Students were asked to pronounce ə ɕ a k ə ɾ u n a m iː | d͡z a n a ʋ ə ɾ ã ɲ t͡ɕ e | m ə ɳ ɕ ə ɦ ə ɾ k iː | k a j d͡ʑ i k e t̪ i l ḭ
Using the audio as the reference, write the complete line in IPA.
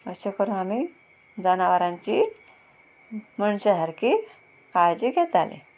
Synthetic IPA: ə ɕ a k ə ɾ u n a m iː | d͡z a n a ʋ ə ɾ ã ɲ t͡ɕ i | m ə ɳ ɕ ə ɦ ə ɾ k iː | k a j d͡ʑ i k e t̪ a l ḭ